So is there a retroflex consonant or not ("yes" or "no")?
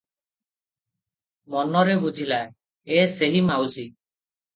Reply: no